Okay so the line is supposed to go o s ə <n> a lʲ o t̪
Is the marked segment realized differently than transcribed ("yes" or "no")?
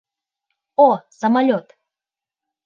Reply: yes